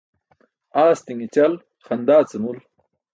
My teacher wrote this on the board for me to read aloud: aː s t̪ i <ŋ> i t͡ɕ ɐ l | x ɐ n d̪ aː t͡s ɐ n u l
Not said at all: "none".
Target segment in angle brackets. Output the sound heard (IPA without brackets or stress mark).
ŋ